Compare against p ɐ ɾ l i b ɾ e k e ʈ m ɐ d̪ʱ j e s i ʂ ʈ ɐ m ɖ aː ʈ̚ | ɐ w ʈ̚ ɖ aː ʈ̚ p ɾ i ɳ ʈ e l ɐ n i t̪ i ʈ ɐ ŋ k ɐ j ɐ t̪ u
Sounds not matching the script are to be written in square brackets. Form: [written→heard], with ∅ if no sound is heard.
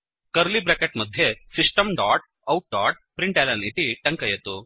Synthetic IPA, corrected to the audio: [p→k] ɐ ɾ l i b ɾ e k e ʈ m ɐ d̪ʱ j e s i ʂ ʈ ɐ m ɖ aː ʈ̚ | ɐ w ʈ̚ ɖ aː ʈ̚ p ɾ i ɳ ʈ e l ɐ n i t̪ i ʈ ɐ ŋ k ɐ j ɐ t̪ u